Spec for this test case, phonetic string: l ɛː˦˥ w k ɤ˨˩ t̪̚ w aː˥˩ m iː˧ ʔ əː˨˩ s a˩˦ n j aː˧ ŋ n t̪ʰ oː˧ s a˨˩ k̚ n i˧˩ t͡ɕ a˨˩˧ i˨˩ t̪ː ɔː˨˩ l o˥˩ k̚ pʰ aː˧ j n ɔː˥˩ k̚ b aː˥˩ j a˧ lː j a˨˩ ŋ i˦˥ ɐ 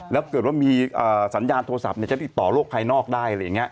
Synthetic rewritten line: l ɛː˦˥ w k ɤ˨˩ t̪̚ w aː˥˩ m iː˧ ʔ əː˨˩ s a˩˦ n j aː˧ n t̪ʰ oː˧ s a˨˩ p̚ n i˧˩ t͡ɕ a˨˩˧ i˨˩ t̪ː ɔː˨˩ l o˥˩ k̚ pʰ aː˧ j n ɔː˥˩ k̚ d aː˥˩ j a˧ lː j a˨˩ ŋ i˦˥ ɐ